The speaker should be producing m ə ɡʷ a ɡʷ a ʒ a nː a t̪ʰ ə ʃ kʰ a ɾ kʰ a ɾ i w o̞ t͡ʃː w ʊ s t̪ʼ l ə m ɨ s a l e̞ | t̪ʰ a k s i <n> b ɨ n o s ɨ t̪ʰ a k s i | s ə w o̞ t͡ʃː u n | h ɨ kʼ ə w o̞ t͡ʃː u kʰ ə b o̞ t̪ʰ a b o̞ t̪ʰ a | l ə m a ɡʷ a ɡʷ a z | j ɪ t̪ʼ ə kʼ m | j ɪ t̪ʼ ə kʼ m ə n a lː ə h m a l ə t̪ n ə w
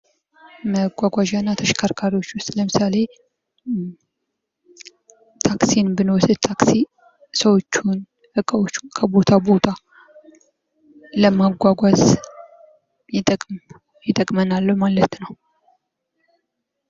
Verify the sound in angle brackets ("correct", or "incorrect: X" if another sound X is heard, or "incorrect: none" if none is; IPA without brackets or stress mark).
correct